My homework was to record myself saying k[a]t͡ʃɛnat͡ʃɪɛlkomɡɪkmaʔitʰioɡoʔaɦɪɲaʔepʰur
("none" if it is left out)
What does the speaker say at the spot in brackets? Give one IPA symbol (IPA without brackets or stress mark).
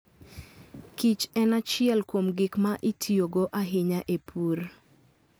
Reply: i